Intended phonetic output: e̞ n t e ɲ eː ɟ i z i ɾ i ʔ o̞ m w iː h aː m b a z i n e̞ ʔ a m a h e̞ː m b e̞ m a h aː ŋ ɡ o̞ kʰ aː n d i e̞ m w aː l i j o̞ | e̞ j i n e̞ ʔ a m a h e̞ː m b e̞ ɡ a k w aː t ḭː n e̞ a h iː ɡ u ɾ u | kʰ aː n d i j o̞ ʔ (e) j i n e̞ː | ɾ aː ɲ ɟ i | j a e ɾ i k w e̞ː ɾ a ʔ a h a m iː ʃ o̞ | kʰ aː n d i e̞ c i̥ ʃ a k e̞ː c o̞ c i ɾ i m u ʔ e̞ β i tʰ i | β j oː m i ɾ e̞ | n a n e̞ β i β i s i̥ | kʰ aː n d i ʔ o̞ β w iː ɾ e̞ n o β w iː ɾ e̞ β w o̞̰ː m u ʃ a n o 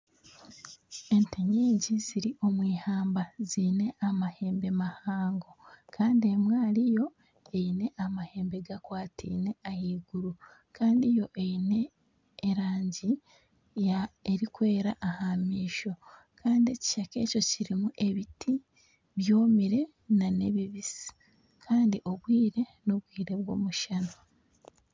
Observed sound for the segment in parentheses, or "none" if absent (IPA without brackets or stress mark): e